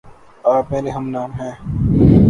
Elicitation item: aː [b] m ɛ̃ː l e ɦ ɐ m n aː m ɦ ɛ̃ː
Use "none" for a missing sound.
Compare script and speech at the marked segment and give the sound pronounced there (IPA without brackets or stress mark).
p